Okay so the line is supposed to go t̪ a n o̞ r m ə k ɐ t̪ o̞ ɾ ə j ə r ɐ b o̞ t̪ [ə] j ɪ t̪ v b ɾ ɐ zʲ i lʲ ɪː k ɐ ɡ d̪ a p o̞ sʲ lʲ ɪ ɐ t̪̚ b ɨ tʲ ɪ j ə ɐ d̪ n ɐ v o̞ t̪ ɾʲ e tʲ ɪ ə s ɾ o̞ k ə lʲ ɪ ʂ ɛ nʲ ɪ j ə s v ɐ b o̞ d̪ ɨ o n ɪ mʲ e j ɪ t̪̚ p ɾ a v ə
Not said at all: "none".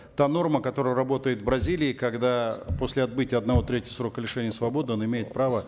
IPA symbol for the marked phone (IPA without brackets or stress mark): ə